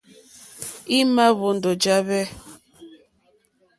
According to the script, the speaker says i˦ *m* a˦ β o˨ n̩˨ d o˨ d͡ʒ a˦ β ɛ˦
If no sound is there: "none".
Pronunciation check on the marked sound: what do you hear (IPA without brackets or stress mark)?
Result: m